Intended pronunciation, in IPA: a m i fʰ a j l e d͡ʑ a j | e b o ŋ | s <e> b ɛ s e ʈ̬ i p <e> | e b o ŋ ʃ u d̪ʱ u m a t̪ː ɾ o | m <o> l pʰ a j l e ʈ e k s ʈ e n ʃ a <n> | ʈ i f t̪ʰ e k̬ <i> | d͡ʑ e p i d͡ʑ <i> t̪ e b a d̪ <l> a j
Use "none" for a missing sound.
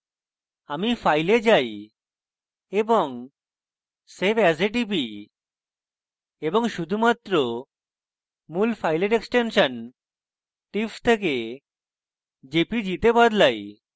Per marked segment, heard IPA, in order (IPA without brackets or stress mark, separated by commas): e, i, u, n, e, i, l